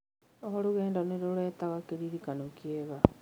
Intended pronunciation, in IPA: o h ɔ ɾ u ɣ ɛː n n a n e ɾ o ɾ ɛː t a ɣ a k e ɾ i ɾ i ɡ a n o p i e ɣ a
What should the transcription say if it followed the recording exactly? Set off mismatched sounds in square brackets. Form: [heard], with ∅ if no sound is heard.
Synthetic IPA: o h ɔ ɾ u ɣ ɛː n [d] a n e ɾ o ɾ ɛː t a ɣ a k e ɾ i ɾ i [k] a n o [k] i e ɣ a